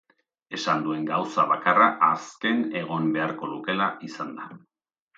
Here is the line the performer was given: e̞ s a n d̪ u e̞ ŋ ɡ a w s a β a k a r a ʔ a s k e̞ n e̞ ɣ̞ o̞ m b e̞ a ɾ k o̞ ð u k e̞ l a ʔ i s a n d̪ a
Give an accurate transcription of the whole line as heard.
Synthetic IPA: e̞ s a n d̪ u e̞ ŋ ɡ a w s a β a k a r a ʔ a s k e̞ n e̞ ɣ̞ o̞ m b e̞ a ɾ k o̞ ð u k e̞ l a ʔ i s a n d̪ a